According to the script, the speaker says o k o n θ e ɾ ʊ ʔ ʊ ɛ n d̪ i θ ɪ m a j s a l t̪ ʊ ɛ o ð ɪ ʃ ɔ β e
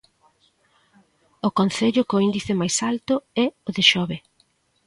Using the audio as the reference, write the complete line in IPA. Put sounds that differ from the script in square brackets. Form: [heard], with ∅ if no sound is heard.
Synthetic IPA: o k o n θ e [ʎ] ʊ [k] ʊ [i] n d̪ i θ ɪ m a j s a l t̪ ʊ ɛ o ð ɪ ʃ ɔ β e